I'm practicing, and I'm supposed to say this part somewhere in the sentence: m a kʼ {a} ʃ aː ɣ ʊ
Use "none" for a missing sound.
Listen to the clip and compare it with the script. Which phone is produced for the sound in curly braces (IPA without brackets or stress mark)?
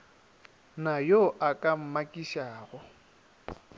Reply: i